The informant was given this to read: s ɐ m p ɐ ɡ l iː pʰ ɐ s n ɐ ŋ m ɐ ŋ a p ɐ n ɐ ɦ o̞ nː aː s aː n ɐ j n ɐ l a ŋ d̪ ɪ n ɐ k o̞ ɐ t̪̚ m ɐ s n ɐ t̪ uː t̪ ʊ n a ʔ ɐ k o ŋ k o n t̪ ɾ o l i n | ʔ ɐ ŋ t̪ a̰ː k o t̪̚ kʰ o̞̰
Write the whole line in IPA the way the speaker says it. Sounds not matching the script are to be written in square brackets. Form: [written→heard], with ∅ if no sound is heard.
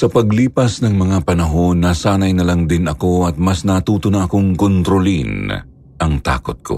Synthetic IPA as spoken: s ɐ [m→∅] p ɐ ɡ l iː [pʰ→p] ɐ s n ɐ ŋ m ɐ ŋ a p ɐ n ɐ ɦ o̞ nː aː s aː n ɐ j n ɐ l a ŋ d̪ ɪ n ɐ k o̞ ɐ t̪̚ m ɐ s n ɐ t̪ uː t̪ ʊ n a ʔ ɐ k o ŋ k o n t̪ ɾ o l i n | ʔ ɐ ŋ t̪ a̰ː k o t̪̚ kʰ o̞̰